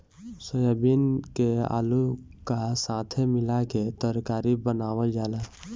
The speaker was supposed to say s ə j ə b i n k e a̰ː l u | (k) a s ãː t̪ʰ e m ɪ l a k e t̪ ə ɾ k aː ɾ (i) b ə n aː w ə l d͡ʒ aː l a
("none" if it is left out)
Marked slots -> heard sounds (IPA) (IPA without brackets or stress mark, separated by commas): k, i